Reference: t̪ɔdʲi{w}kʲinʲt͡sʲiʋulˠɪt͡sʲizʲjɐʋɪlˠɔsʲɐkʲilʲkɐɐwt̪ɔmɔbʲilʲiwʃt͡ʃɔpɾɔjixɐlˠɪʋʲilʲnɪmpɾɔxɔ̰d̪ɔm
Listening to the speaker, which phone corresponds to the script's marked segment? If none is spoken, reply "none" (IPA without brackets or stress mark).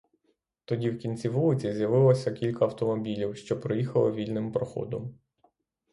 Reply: w